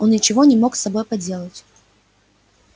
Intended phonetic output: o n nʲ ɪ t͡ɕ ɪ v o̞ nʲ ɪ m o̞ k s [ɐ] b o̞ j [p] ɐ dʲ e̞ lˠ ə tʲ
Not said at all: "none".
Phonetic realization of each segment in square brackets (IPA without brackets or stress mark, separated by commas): ɐ, p